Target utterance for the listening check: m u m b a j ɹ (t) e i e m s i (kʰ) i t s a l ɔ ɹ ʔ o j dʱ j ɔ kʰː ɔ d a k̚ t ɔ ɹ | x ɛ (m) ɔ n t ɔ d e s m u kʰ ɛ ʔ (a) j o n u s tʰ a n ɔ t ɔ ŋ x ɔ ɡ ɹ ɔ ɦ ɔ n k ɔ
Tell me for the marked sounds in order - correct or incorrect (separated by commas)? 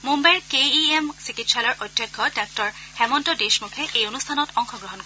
incorrect, incorrect, correct, incorrect